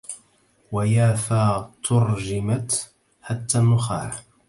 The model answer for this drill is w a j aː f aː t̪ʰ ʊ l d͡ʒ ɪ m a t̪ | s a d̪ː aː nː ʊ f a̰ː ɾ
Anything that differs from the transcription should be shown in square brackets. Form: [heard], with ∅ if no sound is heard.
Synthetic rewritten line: w a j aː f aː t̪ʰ ʊ [ɾ] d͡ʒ ɪ m a t̪ | [ħ] a [t̪ː] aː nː ʊ [x] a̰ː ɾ